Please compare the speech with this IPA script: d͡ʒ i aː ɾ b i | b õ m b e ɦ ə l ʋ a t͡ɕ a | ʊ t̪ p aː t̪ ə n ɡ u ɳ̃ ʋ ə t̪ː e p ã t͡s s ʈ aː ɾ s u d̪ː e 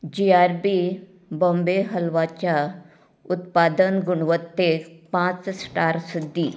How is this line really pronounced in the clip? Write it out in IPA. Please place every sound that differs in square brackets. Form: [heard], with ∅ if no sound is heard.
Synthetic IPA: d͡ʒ i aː ɾ b i | b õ m b e ɦ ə l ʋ a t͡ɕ a | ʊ t̪ p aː [d̪] ə n ɡ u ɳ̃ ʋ ə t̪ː e p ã t͡s s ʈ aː ɾ s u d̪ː [i]